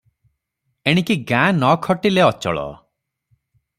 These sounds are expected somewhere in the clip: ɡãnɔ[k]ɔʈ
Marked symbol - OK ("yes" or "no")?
no